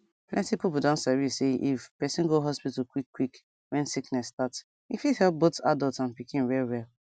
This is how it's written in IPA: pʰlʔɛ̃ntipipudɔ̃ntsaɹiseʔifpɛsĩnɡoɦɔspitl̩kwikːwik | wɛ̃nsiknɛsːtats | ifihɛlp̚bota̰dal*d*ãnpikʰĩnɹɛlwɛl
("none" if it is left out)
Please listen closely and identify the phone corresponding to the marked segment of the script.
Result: t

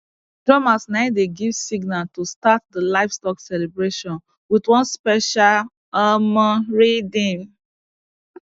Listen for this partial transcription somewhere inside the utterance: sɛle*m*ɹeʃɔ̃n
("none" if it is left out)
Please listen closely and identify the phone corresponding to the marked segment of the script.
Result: b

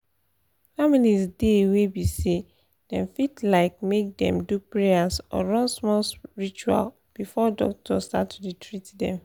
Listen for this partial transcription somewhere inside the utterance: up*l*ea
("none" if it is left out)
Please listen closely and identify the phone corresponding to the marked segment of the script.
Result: ɹ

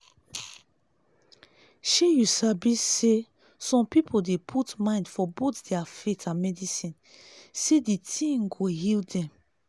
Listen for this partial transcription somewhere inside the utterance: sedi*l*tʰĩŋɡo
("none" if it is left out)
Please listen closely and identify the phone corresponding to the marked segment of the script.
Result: none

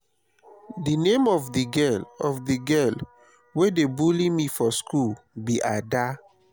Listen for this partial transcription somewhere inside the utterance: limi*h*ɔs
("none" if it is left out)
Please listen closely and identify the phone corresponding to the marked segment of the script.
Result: f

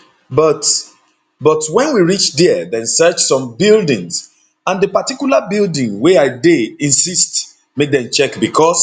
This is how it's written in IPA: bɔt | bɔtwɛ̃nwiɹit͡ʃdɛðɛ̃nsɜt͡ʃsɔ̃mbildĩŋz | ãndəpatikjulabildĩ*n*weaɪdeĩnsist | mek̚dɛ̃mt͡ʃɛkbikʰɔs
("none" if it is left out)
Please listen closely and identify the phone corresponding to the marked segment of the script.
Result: ŋ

